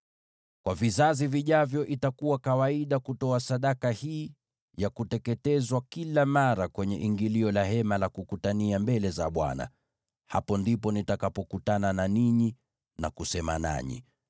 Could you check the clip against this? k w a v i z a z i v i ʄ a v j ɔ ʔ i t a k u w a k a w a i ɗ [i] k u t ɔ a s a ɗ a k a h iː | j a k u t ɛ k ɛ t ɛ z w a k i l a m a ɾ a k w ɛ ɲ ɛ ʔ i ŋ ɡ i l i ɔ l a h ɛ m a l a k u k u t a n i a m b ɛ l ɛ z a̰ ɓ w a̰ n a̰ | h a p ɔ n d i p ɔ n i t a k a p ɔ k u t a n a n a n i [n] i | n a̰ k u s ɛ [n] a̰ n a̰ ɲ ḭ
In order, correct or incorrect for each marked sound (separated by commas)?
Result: incorrect, incorrect, incorrect